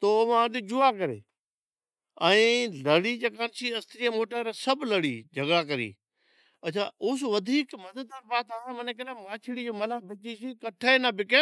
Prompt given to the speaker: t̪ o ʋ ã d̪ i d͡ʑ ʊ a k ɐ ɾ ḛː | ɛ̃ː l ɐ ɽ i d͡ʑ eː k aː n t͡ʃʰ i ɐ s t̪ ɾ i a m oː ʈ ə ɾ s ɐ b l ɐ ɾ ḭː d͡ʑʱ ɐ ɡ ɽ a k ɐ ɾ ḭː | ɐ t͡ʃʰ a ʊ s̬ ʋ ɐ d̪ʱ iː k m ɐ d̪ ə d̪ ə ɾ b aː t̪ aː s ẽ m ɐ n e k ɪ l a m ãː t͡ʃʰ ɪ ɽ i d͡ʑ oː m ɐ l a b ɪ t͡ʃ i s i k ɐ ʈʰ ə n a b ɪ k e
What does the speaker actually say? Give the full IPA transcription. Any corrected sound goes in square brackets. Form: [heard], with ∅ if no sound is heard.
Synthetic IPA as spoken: t̪ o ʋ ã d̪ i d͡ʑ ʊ a k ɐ ɾ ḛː | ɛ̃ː l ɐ ɽ i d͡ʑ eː k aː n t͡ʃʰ i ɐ s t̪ ɾ i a m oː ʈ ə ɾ s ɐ b l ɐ [ɽ] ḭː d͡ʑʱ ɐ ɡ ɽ a k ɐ ɾ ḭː | ɐ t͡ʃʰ a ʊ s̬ ʋ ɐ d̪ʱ iː k m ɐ d̪ ə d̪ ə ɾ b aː t̪ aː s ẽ m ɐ n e k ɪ l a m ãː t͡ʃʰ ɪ ɽ i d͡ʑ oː m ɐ l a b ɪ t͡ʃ i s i k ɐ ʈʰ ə n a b ɪ k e